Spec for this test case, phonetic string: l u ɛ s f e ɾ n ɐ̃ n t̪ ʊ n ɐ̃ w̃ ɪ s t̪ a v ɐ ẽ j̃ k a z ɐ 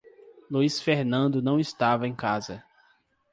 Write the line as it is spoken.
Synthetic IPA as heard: l u i s f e ɾ n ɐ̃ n d̪ ʊ n ɐ̃ w̃ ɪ s t̪ a v ɐ ẽ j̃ k a z ɐ